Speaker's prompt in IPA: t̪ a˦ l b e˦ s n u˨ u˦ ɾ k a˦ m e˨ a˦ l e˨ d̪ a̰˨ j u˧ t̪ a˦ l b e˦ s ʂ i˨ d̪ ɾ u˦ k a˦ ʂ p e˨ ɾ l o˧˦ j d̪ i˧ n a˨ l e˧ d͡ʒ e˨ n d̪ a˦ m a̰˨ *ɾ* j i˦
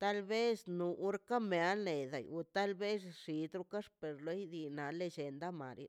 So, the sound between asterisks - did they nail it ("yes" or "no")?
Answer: yes